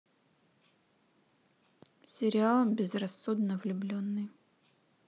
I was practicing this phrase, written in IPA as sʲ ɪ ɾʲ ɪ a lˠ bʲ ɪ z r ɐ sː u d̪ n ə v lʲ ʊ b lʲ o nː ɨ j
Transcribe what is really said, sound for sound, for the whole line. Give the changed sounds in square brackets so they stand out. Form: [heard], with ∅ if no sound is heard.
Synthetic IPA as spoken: sʲ ɪ ɾʲ ɪ a lˠ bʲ ɪ z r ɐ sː u d̪ n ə v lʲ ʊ b lʲ o nː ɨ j